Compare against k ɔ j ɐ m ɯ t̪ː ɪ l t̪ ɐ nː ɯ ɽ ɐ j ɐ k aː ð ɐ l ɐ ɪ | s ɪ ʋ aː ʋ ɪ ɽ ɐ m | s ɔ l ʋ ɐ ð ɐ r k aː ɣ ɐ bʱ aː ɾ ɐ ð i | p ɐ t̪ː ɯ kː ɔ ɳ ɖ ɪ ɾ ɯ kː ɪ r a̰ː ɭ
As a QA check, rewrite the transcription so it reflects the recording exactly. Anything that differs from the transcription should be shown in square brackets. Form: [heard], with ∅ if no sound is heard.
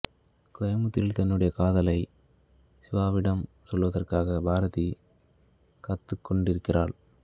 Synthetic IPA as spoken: k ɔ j ɐ m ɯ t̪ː ɪ l t̪ ɐ nː ɯ ɽ ɐ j ɐ k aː ð ɐ l ɐ ɪ | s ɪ ʋ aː ʋ ɪ ɽ ɐ m | s ɔ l ʋ ɐ ð ɐ r k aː ɣ ɐ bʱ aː ɾ ɐ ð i | [k] ɐ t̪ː ɯ kː ɔ ɳ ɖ ɪ ɾ ɯ kː ɪ r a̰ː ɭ